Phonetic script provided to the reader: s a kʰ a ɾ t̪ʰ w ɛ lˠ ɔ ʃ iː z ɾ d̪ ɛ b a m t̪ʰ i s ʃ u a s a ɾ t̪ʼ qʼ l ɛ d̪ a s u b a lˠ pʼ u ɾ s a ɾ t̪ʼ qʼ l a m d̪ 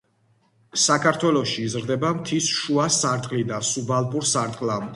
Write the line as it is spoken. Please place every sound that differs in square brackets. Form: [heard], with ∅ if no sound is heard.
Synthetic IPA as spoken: s a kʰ a ɾ t̪ʰ w ɛ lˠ ɔ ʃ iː z ɾ d̪ ɛ b a m t̪ʰ i s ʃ u a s a ɾ t̪ʼ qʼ l [i] d̪ a s u b a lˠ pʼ u ɾ s a ɾ t̪ʼ qʼ l a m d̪